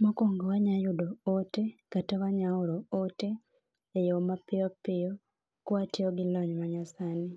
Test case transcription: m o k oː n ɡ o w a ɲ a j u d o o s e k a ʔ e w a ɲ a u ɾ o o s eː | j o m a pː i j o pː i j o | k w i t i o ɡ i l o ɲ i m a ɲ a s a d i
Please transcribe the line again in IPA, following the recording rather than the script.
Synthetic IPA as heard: m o k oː ŋ ɡ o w a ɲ a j u d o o t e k a t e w a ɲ a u ɾ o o t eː | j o m a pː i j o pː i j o | k w a t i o ɡ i l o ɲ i m a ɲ a s a n i